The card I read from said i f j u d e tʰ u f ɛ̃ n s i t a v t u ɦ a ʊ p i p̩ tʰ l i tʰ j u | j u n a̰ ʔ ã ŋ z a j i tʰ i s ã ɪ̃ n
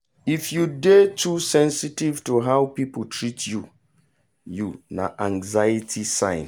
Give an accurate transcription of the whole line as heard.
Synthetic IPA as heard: i f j u d e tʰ u s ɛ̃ n s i t i v t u ɦ a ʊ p i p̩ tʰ ɹ i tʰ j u | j u n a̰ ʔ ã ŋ z a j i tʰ i s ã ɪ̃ n